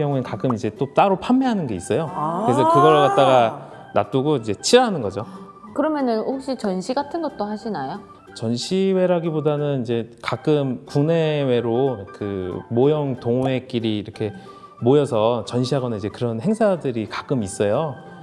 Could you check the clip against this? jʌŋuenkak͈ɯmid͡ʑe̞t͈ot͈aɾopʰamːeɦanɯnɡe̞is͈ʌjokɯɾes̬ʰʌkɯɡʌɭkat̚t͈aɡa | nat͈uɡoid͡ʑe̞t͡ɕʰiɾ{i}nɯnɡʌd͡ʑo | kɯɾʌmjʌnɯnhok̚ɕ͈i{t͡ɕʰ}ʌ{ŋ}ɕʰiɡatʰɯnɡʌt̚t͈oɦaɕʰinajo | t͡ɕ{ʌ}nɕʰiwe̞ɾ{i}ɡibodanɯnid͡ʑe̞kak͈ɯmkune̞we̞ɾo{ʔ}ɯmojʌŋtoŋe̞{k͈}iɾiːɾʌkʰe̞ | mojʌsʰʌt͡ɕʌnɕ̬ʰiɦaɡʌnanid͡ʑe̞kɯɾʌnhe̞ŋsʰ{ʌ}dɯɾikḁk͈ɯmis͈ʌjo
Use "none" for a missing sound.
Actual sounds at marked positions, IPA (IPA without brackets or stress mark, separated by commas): a, t͡ɕ, n, ʌ, a, k, k͈, a